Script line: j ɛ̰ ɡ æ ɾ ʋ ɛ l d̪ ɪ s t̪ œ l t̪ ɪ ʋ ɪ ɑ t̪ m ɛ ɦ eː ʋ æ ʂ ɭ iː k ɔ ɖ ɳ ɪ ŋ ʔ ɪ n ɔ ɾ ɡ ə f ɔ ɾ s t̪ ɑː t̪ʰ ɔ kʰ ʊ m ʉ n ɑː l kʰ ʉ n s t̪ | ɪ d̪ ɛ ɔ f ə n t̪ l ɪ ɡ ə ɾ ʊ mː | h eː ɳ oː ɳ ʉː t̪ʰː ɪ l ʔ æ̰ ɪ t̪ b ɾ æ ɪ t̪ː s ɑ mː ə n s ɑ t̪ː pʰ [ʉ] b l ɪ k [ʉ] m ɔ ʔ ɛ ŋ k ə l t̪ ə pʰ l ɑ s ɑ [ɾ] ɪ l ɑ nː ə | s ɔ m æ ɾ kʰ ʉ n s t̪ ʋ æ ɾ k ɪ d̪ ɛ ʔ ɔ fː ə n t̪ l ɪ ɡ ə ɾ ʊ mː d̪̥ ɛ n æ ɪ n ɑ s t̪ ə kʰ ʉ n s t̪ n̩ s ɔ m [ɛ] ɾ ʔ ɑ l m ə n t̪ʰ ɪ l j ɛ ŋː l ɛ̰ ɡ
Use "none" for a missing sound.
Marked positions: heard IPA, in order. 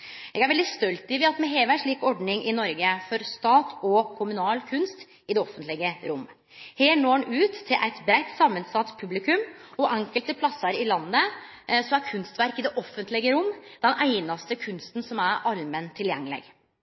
ʉ, ʉ, ɾ, æ

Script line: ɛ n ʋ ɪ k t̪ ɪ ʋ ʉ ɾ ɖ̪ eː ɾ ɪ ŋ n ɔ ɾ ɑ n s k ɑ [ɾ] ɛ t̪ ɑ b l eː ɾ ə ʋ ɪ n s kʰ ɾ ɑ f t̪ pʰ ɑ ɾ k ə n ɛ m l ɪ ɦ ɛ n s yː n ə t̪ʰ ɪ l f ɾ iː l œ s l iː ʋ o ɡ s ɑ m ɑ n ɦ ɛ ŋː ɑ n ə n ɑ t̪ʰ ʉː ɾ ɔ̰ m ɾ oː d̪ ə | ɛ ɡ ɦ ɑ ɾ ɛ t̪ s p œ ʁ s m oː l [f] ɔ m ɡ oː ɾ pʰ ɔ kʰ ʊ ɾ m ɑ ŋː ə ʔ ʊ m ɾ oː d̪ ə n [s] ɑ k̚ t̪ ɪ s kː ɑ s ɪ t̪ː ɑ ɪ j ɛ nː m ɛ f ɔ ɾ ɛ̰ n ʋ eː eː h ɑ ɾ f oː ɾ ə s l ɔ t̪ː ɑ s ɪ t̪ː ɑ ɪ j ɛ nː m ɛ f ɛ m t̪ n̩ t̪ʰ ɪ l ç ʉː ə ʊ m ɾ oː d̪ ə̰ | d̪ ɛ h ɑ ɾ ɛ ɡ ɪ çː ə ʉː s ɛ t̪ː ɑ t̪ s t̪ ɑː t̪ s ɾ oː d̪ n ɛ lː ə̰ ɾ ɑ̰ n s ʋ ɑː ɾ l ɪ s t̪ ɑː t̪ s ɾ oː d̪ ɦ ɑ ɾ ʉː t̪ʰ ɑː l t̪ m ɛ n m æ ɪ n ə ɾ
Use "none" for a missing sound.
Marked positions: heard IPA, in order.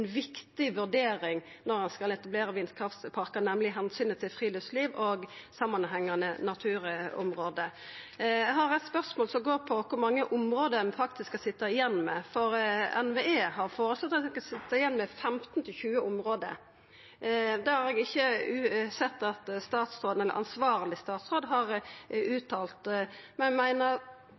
l, s, f

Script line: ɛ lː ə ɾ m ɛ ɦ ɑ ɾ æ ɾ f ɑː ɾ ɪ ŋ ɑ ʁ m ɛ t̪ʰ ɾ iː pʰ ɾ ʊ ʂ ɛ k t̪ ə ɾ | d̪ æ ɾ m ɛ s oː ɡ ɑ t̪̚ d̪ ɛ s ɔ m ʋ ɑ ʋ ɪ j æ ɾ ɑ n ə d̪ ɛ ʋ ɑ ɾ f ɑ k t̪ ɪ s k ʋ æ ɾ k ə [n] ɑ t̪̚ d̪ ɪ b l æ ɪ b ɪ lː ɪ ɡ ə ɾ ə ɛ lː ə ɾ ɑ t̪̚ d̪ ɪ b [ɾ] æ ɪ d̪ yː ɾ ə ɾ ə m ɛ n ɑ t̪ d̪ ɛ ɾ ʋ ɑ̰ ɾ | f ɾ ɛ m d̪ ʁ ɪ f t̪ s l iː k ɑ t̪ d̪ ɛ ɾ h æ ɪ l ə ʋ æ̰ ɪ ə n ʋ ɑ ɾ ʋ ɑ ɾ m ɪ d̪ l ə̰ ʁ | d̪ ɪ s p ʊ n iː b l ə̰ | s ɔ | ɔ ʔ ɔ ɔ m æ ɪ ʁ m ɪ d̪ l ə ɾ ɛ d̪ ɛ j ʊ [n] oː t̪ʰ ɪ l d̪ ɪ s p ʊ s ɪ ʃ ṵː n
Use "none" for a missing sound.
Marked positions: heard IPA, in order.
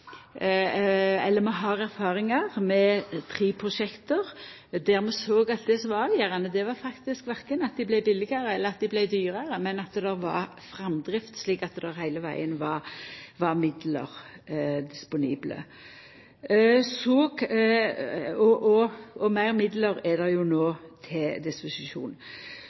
n, l, n

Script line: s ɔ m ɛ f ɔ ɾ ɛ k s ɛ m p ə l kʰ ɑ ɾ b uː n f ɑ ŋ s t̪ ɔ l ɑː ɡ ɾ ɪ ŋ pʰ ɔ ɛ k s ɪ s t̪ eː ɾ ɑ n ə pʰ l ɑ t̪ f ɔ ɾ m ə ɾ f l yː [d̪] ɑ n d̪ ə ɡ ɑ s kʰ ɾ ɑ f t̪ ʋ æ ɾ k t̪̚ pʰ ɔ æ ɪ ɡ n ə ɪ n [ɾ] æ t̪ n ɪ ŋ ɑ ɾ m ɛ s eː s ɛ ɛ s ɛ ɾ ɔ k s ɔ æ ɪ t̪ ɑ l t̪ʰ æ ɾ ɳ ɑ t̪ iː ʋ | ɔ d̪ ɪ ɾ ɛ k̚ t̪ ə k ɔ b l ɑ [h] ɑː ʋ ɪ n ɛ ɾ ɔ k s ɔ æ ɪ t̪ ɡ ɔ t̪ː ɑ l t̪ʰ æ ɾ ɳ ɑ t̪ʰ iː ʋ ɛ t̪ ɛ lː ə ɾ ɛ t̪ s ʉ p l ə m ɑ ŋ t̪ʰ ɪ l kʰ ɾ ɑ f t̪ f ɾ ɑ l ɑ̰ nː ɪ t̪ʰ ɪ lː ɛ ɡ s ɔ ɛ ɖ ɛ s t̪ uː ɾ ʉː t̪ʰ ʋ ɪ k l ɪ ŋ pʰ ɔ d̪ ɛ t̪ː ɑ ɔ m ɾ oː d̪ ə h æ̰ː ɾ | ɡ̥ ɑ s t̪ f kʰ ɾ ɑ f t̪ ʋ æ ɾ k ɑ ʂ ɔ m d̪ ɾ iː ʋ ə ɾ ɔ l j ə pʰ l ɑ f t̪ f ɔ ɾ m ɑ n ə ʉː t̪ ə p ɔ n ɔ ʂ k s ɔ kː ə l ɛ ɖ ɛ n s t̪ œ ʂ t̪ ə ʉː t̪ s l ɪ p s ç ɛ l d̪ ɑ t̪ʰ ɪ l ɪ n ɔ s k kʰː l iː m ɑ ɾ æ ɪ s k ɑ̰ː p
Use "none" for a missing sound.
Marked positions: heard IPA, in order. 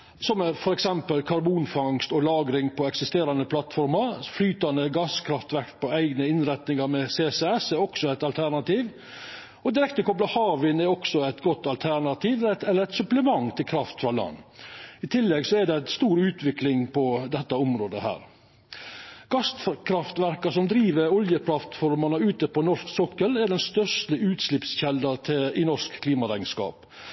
t̪, ɾ, h

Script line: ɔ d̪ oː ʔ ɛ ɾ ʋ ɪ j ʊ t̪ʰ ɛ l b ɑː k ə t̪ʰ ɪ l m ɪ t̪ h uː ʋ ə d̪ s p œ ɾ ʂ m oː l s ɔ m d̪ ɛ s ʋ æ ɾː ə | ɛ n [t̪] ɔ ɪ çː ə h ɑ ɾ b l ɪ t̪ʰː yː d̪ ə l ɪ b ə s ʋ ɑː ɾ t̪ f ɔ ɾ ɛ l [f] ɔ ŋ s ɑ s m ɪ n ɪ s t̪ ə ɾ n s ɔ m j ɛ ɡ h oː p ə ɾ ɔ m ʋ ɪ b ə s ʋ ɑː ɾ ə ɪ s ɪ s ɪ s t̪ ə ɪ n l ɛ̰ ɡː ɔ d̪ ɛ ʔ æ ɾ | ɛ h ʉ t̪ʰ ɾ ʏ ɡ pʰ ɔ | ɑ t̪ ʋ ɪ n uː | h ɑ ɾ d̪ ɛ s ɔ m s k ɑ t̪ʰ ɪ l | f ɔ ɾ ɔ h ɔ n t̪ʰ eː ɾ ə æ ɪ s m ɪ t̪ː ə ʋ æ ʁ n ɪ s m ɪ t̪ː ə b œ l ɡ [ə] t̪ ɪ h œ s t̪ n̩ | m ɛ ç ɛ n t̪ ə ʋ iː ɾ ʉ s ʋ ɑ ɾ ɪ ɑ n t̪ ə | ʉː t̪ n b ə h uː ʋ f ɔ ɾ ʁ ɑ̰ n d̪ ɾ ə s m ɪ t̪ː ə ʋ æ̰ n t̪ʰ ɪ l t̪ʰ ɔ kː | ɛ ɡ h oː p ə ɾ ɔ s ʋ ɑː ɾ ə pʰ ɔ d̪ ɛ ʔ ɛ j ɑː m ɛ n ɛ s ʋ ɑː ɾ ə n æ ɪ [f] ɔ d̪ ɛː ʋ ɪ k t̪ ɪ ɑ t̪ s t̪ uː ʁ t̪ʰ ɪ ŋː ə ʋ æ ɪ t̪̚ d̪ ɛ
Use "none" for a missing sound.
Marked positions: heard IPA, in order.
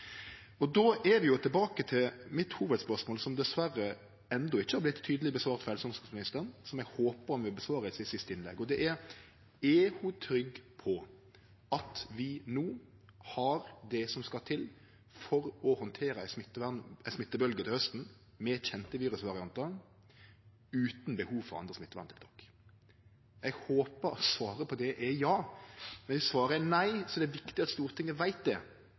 d̪, s, ə, s

